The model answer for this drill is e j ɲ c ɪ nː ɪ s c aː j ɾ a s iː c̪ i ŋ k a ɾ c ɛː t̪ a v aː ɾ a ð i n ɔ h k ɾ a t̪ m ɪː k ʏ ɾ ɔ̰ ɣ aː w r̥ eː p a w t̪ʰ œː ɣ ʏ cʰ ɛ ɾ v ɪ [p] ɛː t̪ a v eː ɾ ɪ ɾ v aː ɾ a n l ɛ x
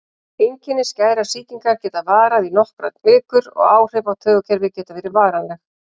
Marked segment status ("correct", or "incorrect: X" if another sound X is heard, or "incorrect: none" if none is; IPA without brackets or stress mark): incorrect: c